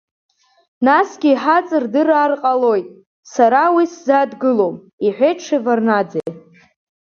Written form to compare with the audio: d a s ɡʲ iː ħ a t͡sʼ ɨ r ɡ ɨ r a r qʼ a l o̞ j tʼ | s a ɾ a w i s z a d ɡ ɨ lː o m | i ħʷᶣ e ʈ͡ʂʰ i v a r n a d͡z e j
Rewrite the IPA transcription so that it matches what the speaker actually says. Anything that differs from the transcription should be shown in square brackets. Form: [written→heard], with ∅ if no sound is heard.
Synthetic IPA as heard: [d→n] a s ɡʲ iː ħ a t͡sʼ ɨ r [ɡ→d] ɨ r a r qʼ a l o̞ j tʼ | s a ɾ a w i s z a d ɡ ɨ [lː→l] o m | i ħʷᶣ e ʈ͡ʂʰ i v a r n a d͡z e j